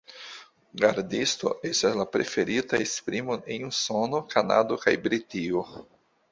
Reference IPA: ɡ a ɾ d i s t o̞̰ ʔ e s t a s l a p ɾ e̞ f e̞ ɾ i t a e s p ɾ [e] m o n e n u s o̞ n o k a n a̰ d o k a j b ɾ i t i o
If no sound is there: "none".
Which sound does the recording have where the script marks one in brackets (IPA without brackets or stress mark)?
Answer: i